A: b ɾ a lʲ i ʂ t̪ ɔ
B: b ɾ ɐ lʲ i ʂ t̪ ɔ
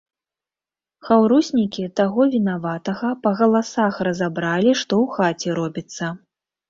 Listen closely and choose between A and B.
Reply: A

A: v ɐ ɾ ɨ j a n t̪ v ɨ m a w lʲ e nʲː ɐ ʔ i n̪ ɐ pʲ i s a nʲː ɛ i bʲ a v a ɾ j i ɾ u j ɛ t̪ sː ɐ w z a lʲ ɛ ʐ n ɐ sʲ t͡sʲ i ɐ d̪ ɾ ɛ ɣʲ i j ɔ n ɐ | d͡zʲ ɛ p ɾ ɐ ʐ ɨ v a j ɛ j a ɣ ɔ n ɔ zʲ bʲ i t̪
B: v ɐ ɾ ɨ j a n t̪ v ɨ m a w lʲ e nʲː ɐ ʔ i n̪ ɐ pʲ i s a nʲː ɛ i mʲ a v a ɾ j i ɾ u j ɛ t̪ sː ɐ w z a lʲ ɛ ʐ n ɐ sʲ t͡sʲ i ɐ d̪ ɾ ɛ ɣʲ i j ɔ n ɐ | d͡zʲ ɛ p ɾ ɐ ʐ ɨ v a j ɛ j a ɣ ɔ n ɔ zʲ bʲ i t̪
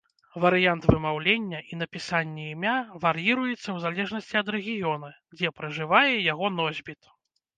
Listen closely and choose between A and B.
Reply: B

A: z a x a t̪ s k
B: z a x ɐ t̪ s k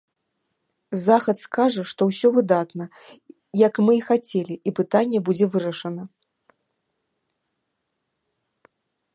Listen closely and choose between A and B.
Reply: B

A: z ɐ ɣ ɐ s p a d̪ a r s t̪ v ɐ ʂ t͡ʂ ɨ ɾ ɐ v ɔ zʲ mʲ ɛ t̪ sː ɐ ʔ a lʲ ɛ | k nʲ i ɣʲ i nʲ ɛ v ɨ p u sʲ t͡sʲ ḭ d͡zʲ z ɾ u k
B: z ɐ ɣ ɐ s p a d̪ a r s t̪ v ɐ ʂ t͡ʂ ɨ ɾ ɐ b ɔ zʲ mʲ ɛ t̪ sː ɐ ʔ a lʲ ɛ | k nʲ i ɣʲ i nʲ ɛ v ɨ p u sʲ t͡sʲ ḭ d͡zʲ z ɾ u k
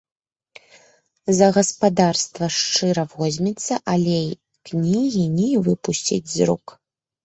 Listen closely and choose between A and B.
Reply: A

